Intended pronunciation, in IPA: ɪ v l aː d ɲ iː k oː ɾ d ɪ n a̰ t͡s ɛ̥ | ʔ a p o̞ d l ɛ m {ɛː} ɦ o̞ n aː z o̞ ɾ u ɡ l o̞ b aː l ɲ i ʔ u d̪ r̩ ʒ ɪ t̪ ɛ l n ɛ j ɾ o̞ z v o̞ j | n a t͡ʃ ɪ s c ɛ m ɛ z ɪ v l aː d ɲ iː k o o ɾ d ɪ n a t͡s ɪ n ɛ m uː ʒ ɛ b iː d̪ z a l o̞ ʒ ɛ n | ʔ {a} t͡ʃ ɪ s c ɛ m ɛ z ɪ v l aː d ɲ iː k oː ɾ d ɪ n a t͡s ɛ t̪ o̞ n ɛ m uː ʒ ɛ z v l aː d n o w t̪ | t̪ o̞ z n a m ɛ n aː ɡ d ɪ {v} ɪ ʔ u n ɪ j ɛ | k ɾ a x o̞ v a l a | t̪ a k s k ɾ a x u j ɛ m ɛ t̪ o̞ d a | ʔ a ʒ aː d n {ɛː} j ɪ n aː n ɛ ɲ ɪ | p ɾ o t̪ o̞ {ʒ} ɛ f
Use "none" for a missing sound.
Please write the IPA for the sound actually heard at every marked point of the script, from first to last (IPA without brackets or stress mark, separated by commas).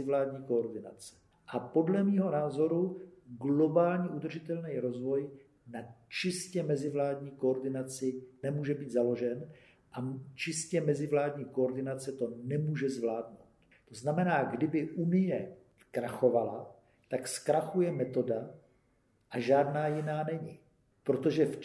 iː, a, b, aː, ʒ